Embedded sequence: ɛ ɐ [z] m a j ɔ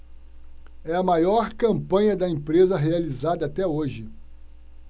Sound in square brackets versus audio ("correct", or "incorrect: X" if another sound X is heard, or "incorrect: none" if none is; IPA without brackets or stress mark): incorrect: none